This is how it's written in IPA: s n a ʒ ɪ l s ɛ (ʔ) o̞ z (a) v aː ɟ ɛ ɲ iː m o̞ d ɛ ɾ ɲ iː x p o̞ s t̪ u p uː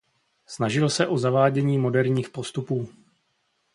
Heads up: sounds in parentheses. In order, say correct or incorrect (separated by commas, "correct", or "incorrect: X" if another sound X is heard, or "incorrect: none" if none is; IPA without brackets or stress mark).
correct, correct